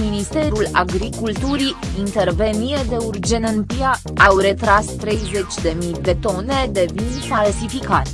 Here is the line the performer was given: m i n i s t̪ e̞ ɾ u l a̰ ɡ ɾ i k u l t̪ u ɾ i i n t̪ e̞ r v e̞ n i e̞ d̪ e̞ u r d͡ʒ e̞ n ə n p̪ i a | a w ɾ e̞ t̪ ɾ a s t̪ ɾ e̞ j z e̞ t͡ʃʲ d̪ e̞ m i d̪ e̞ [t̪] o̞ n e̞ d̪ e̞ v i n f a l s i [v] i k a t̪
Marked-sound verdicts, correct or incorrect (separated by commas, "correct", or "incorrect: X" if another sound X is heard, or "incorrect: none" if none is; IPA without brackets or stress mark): correct, incorrect: f